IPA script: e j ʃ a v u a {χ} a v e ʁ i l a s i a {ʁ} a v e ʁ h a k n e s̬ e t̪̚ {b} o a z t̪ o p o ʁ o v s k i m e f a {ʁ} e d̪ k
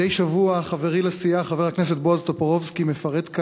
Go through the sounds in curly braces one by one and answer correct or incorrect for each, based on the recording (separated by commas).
correct, incorrect, correct, correct